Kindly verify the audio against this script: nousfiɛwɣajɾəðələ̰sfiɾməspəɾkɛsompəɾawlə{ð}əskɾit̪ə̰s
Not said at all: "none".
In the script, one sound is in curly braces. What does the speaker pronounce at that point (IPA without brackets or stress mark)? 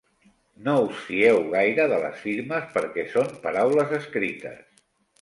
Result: z